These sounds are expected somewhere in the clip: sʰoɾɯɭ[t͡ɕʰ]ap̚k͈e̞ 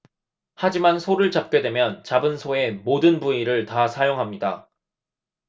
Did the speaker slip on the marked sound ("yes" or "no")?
yes